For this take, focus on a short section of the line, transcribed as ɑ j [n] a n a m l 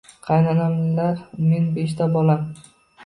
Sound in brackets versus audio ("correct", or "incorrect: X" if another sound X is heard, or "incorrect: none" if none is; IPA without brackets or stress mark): correct